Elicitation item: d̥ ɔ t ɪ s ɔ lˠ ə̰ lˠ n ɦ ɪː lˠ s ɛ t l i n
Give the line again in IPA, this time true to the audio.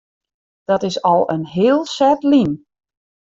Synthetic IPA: d̥ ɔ t ɪ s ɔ lˠ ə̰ n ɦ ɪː lˠ s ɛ t l i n